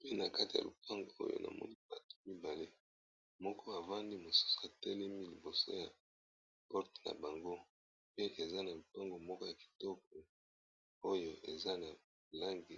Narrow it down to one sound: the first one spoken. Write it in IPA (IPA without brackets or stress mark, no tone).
p